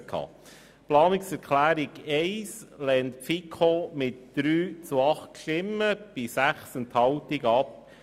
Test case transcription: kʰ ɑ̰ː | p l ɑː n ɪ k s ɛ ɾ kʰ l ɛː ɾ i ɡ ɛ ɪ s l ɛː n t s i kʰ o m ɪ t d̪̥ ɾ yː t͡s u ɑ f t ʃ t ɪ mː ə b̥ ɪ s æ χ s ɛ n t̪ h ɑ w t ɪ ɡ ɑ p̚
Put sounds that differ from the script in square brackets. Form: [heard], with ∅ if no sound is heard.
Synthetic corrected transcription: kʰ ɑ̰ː | p l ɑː n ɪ k s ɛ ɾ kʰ l [æː] ɾ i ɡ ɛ ɪ s l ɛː n t [f] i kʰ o m ɪ t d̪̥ ɾ yː t͡s u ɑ [χ] t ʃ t ɪ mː ə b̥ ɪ s æ χ s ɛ n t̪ h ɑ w t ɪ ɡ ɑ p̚

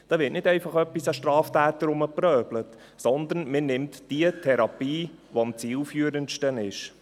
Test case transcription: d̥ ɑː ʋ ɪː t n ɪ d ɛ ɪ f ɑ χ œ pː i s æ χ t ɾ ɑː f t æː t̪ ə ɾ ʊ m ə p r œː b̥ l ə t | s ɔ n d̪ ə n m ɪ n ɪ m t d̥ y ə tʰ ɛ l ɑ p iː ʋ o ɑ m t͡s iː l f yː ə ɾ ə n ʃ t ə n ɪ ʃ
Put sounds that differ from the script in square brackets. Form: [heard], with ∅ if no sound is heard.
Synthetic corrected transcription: d̥ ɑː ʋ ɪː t n ɪ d ɛ ɪ f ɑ χ œ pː i s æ [ʃ] t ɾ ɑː f t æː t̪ ə ɾ ʊ m ə p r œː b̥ l ə t | s ɔ n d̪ ə n m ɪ n ɪ m t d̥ [i] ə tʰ ɛ [ɾ] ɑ p iː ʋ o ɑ m t͡s iː l f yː ə ɾ ə n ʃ t ə n ɪ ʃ

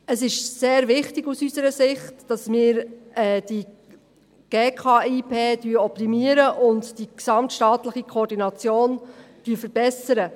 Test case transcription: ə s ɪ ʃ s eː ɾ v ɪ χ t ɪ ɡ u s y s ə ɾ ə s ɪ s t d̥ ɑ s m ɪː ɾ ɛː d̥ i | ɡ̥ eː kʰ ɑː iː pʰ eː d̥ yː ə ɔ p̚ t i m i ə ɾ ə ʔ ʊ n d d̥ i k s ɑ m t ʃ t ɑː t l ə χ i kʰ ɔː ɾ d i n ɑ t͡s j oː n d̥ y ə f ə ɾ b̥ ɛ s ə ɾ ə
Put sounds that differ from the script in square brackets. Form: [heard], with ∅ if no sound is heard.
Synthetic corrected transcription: ə s ɪ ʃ s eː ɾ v ɪ χ t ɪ ɡ u s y s ə ɾ ə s ɪ [χ] t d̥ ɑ s m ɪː ɾ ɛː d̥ i | ɡ̥ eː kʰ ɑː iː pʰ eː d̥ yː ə ɔ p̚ t i m i ə ɾ ə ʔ ʊ n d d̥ i k s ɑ m t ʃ t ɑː t l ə χ i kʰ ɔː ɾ d i n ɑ t͡s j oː n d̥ y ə f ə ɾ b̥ ɛ s ə ɾ ə

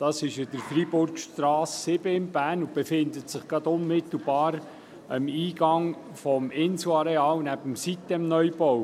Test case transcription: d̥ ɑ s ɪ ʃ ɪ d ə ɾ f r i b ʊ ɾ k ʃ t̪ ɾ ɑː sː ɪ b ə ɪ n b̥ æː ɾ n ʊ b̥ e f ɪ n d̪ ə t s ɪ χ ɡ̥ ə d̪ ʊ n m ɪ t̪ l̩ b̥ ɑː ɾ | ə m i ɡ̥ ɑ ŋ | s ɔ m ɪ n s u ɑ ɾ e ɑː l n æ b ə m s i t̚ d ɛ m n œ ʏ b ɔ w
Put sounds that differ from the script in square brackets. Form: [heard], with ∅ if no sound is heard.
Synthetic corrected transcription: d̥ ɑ s ɪ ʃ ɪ d ə ɾ f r i b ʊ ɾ k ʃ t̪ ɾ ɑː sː ɪ b ə ɪ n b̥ æː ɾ n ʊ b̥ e f ɪ n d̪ ə t s ɪ χ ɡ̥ [ɑ] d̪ ʊ n m ɪ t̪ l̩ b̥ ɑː ɾ | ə m [iː] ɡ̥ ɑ ŋ | [f] ɔ m ɪ n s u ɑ ɾ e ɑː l n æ b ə m s i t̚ d ɛ m n œ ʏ b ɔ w

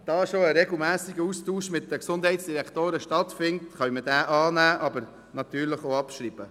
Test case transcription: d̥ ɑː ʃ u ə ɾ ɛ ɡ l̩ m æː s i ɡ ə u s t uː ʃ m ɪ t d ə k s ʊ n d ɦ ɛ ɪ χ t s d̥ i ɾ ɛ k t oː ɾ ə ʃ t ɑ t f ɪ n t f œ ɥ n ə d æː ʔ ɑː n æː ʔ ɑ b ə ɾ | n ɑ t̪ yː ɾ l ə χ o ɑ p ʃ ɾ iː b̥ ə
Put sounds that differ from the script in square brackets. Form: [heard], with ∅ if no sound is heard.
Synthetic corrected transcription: d̥ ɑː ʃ [o] ə ɾ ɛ ɡ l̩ m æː s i ɡ ə u s t uː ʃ m ɪ t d ə k s ʊ n d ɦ ɛ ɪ [∅] t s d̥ i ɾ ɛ k t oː ɾ ə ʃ t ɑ t f ɪ n t [χ] œ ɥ [m] ə d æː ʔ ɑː n æː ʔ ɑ b ə ɾ | n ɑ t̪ yː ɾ l ə χ o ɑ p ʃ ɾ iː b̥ ə

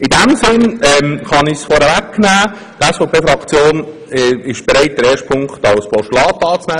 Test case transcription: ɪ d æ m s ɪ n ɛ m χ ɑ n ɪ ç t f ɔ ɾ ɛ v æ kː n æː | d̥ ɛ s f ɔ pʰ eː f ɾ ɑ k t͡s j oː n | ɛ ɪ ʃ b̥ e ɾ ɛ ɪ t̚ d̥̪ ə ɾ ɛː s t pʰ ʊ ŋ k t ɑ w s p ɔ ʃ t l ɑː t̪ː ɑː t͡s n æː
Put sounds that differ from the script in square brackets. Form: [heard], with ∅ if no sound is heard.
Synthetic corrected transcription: ɪ d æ m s ɪ n ɛ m χ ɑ n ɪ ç [s] f ɔ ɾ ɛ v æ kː n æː | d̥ ɛ s f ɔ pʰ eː f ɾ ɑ k t͡s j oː n | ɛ ɪ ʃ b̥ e ɾ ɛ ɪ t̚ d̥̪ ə ɾ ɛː [ʃ] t pʰ ʊ ŋ k t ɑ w s p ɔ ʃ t l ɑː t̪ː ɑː t͡s n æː

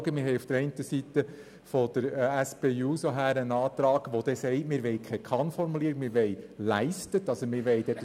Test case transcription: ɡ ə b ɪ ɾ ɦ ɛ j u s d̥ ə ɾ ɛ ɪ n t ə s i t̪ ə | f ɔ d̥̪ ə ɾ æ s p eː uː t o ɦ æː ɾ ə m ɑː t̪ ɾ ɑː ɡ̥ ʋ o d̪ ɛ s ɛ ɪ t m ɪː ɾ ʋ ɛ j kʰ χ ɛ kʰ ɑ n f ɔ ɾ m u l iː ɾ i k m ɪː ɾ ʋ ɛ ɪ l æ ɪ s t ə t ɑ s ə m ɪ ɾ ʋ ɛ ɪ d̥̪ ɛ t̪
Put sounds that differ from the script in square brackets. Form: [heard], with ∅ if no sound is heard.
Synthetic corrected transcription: ɡ ə [m] ɪ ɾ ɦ ɛ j u [f] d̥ ə ɾ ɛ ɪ n t ə s i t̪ ə | f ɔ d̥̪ ə ɾ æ s p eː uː [s] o ɦ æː ɾ ə [n] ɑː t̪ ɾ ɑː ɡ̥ ʋ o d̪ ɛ s ɛ ɪ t m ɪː ɾ ʋ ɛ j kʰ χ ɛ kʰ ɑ n f ɔ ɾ m u l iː ɾ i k m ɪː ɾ ʋ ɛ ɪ l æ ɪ s t ə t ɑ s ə m ɪ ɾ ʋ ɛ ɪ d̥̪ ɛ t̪

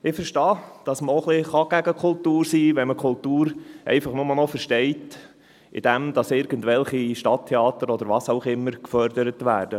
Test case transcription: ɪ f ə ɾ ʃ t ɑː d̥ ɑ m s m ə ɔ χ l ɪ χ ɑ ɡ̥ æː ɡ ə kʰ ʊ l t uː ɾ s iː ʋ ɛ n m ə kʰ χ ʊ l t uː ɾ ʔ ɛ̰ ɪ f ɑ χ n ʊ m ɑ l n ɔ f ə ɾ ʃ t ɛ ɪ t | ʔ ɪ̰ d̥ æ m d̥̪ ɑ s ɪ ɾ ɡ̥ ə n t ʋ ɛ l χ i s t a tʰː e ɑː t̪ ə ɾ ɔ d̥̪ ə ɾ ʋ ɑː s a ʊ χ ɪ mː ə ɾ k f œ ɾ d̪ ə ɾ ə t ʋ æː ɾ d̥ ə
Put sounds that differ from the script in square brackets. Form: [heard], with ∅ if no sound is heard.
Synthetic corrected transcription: ɪ f ə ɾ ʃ t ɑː d̥ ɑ [∅] s m ə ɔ χ l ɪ χ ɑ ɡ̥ [æ] ɡ ə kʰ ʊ l t uː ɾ s iː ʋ ɛ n m ə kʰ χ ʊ l t uː ɾ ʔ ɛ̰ ɪ f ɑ χ n ʊ m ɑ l n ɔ f ə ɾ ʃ t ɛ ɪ t | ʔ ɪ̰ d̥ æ m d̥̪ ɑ s ɪ ɾ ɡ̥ ə n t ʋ ɛ l χ i [ʃ] t [ɑ] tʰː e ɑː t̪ ə ɾ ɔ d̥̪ ə ɾ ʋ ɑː s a ʊ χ ɪ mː ə ɾ k f œ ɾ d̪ ə ɾ ə t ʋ æː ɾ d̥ ə

